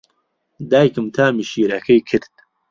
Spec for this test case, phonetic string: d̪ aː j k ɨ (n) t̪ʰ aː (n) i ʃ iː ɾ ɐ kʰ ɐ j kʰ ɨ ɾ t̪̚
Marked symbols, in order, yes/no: no, no

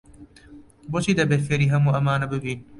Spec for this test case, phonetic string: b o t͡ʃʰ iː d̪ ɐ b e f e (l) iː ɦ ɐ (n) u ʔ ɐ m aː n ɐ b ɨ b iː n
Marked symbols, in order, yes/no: no, no

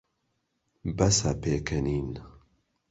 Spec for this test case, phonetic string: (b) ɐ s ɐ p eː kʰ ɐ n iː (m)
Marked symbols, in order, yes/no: yes, no

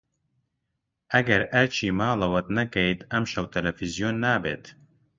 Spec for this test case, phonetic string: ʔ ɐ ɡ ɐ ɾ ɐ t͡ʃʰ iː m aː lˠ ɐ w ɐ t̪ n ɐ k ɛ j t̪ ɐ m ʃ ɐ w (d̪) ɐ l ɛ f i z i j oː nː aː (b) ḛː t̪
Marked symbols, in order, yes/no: no, yes

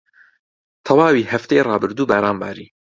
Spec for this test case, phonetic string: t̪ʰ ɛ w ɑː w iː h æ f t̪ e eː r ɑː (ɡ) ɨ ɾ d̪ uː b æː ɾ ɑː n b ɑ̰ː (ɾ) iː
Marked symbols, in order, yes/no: no, yes

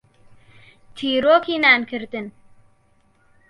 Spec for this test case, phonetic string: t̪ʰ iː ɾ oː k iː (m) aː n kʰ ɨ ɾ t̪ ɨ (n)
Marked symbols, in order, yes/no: no, yes

